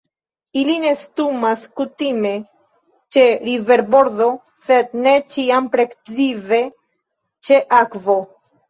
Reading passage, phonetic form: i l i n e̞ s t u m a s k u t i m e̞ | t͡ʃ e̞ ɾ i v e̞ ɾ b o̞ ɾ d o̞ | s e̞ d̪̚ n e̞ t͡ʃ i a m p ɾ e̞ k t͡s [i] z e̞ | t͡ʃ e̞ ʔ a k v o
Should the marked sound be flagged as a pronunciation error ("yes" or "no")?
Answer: no